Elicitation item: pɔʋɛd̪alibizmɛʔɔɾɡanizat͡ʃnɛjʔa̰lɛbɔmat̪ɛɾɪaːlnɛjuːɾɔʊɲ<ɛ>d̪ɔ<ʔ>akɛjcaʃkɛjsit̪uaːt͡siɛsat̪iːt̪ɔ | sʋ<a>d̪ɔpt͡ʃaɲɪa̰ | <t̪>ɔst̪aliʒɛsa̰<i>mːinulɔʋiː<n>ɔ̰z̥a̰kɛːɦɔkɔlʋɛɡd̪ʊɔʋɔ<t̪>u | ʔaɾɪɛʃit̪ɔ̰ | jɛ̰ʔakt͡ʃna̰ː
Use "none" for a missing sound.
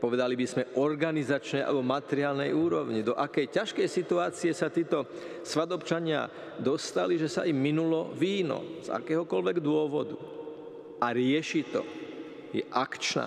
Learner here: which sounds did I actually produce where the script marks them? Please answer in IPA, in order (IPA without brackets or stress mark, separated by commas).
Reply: i, ʔ, a, d̪, i, n, d̪